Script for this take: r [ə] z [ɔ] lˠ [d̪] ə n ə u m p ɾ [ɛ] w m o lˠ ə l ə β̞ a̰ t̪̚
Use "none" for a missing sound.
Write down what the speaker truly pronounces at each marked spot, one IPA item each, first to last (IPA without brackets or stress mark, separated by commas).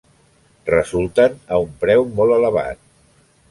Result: ə, u, t̪, ɛ